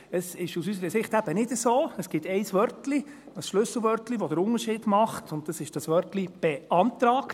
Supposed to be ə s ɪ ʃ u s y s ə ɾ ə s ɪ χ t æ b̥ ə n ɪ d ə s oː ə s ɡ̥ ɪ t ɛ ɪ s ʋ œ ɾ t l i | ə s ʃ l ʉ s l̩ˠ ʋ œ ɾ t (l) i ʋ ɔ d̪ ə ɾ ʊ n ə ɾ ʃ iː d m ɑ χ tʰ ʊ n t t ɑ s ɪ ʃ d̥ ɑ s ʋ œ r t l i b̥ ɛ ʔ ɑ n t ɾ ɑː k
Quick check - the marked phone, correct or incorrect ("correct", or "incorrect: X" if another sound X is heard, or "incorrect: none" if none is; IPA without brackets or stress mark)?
correct